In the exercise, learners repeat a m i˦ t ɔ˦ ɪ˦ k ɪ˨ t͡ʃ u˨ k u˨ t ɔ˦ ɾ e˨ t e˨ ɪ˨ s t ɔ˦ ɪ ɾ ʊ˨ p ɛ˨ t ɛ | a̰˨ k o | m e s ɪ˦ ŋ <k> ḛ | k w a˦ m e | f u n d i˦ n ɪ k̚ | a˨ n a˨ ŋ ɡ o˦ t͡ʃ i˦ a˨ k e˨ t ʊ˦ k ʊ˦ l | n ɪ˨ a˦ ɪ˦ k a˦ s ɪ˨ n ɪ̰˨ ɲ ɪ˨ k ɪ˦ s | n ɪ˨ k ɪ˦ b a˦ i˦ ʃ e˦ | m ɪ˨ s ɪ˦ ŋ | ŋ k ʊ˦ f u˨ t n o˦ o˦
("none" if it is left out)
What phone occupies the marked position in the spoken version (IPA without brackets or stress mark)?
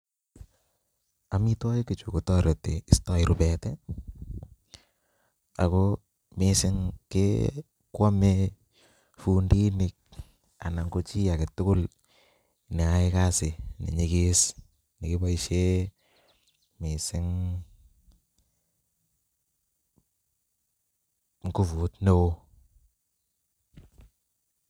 k